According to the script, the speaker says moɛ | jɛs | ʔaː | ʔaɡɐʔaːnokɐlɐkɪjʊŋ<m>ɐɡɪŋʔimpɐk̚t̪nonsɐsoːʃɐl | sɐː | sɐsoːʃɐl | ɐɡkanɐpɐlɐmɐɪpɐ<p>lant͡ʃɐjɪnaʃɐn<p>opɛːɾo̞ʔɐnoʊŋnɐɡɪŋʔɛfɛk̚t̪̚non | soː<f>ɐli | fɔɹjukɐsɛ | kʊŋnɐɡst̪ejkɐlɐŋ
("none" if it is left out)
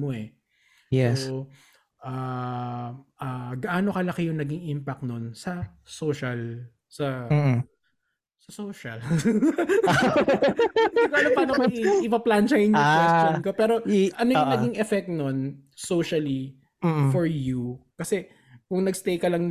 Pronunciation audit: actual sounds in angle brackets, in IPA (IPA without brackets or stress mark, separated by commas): n, p, k, ʃ